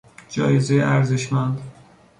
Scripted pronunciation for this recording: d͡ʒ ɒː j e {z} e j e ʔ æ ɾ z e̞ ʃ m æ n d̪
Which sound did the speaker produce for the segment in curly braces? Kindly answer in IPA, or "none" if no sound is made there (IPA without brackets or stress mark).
z